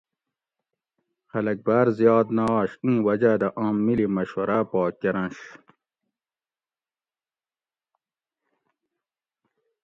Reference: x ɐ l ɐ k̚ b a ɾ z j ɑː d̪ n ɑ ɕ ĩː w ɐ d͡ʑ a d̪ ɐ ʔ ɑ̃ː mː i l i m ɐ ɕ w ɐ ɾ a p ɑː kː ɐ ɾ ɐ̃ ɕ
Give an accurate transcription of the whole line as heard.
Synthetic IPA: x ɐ l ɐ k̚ b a ɾ z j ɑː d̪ n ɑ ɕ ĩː w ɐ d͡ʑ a d̪ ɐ ʔ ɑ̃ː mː i l i m ɐ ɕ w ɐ ɾ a p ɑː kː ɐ ɾ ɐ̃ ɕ